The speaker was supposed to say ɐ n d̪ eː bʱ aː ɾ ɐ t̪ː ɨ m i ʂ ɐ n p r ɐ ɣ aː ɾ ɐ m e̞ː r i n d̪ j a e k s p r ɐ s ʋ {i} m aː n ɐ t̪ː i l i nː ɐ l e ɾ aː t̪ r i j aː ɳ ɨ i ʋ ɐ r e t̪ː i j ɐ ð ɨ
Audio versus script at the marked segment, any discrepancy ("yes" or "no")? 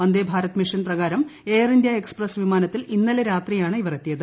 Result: no